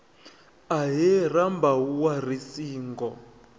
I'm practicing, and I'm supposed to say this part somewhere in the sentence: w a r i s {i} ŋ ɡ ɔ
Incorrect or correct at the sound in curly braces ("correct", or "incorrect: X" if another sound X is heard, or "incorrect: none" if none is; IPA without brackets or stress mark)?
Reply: incorrect: iː